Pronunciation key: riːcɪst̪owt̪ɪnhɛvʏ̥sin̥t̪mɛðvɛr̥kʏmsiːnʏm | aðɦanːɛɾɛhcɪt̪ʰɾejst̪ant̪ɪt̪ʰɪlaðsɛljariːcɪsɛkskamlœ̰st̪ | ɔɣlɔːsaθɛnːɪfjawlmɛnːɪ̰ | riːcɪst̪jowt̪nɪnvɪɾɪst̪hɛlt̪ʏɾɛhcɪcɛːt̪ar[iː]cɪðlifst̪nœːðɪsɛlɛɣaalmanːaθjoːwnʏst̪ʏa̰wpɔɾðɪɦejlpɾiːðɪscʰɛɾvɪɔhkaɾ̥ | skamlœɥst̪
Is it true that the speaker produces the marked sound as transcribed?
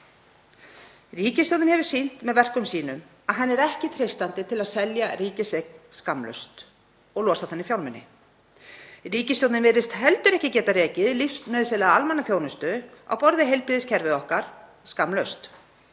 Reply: no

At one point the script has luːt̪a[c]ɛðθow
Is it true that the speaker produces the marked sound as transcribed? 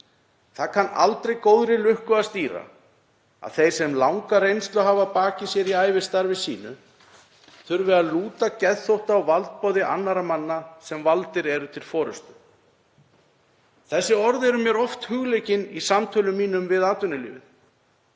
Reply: yes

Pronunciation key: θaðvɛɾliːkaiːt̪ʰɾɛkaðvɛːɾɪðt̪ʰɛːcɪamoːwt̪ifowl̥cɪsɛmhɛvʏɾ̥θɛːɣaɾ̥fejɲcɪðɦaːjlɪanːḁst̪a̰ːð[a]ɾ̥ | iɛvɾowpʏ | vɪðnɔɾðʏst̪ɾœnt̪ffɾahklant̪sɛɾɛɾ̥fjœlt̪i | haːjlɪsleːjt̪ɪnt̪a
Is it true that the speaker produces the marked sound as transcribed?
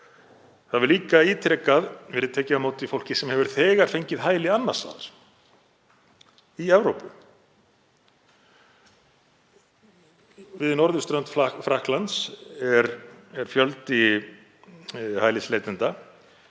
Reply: yes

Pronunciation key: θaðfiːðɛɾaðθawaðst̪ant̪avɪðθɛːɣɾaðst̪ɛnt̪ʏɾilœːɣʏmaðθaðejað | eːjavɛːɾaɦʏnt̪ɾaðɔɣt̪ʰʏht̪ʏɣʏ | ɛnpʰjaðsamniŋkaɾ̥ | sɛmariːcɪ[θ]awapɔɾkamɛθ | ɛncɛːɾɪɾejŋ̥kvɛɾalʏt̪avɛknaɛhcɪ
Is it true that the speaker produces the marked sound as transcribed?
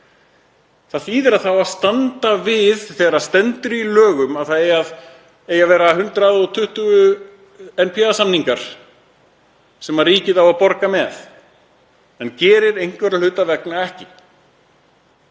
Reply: no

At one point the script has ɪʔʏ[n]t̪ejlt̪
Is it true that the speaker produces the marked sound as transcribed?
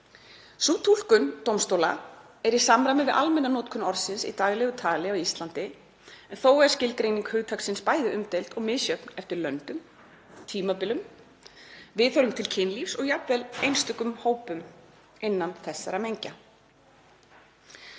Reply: no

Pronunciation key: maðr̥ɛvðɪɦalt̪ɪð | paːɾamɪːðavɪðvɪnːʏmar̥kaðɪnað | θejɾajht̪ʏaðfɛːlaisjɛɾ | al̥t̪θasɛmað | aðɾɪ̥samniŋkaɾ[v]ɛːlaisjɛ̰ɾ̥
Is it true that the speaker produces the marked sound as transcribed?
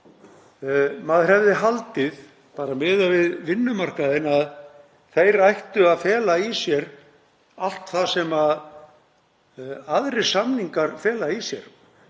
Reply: no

